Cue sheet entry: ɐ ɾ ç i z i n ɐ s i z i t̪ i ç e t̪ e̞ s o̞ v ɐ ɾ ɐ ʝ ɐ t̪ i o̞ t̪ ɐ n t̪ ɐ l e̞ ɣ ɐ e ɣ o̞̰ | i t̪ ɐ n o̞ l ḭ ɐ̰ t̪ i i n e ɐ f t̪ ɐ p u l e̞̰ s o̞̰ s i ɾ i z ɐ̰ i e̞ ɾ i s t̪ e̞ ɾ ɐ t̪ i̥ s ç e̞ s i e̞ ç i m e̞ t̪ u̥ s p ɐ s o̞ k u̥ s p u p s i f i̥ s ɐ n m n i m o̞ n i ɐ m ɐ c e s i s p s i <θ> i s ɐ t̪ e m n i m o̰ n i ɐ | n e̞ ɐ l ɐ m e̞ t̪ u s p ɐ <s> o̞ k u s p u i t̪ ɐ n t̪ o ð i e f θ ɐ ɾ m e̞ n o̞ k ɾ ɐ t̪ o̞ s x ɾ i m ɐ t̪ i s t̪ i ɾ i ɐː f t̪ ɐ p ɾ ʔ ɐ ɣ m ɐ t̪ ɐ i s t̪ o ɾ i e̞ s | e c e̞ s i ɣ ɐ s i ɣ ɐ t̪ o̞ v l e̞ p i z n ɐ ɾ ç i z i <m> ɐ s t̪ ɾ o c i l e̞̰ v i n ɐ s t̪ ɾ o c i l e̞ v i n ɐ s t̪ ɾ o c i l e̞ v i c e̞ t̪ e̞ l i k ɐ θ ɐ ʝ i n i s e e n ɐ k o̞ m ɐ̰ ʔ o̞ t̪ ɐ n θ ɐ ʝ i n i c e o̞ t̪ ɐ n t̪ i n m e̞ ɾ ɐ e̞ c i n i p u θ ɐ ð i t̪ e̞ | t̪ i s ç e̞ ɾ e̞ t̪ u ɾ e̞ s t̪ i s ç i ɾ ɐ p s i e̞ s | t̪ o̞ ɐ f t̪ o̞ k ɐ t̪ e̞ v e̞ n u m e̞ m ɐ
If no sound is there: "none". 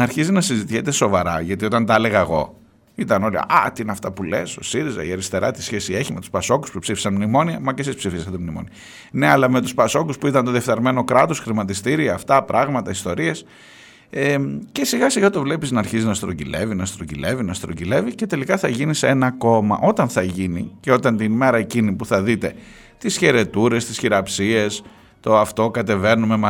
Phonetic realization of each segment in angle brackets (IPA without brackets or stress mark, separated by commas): f, s, n